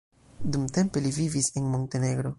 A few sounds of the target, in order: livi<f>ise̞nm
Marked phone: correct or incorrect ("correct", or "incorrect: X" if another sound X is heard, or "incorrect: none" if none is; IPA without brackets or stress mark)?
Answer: incorrect: v